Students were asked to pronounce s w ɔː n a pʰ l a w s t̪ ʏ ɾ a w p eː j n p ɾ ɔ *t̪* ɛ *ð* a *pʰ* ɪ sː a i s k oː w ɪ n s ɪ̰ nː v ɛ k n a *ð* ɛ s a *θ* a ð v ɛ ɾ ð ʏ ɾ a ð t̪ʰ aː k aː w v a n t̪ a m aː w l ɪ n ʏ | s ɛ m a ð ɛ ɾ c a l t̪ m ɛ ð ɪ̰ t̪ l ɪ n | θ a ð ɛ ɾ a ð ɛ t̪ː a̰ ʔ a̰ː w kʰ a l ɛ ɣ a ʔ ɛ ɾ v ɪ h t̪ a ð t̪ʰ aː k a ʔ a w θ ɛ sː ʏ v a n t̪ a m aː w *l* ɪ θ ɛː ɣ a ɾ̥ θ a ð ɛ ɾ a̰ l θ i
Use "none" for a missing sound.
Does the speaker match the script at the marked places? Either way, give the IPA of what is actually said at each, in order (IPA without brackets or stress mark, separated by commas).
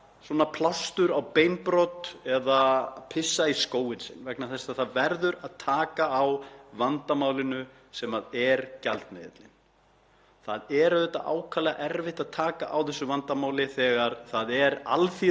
t̪, ð, pʰ, θ, θ, l